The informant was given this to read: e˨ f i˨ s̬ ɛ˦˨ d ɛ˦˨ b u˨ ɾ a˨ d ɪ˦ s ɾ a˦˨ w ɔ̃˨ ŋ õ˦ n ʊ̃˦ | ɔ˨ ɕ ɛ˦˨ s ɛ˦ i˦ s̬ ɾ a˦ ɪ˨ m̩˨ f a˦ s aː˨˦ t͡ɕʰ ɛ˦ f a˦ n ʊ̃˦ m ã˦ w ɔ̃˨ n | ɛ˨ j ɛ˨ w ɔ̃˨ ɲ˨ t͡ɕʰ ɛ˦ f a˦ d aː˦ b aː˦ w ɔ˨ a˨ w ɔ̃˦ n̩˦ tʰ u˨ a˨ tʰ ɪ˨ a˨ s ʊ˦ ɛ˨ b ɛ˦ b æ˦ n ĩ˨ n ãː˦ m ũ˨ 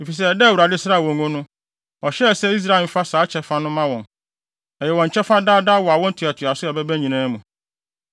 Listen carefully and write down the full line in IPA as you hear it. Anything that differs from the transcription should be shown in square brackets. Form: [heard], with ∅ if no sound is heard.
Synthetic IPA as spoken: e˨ f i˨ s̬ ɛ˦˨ d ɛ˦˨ [w] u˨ ɾ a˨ d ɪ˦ s ɾ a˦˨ w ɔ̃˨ ŋ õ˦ n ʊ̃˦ | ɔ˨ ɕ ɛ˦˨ s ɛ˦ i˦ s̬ ɾ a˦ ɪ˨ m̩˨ f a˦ s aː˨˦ t͡ɕʰ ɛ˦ f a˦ n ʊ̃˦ m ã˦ w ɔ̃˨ n | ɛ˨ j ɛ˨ w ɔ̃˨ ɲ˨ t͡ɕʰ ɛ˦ f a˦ d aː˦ [d] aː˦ w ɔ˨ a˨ w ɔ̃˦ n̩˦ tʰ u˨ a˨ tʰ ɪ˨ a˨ s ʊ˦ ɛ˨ b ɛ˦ b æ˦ [ɲ] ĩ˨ n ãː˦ m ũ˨